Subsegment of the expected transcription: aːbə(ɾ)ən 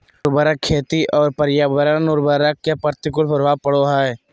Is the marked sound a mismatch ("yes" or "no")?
no